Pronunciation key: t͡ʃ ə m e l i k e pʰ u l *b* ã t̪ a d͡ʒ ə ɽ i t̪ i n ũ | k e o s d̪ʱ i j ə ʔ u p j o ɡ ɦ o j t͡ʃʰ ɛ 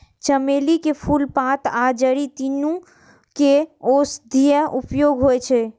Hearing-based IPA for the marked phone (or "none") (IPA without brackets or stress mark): p